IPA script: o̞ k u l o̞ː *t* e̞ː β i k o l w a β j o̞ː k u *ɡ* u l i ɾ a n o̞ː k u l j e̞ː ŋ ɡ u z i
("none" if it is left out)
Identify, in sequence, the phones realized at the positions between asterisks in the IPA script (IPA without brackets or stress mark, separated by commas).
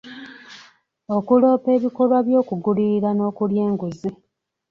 p, ɡ